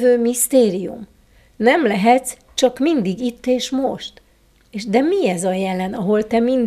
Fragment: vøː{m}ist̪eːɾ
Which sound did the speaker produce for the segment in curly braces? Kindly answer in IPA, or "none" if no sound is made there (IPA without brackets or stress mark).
m